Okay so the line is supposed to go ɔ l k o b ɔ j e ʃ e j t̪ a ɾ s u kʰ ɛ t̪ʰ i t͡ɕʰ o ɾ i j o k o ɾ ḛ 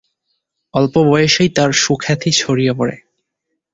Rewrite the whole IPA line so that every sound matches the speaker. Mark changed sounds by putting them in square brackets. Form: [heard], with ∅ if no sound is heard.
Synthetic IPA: ɔ l [p] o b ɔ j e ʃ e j t̪ a ɾ [ʃ] u kʰ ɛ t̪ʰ i t͡ɕʰ o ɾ i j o [p] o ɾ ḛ